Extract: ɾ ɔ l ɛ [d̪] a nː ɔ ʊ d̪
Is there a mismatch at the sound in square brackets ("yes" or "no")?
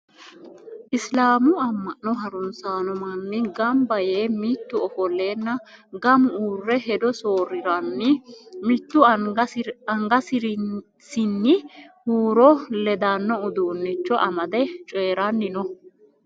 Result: no